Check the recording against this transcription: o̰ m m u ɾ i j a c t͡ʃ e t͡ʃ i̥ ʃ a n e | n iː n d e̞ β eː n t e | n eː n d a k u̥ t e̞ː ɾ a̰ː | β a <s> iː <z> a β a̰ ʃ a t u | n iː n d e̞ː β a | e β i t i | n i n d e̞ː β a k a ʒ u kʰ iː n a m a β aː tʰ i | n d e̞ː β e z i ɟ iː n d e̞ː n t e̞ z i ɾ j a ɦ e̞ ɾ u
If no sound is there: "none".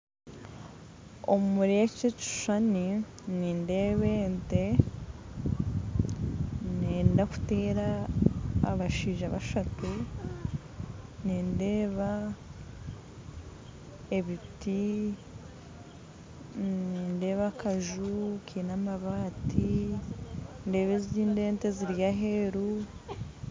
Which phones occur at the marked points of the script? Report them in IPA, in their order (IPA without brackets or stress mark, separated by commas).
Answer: ʃ, ʒ